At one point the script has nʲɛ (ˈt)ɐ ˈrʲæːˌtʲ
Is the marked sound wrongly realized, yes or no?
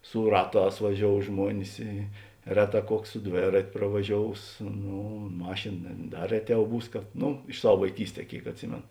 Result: yes